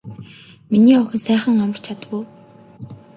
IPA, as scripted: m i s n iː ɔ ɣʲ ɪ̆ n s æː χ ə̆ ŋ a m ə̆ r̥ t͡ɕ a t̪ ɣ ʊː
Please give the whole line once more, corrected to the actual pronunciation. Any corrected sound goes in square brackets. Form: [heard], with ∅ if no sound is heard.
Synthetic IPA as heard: m i [∅] n iː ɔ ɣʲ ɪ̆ n s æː χ ə̆ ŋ a m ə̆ r̥ [t͡ɕʰ] a t̪ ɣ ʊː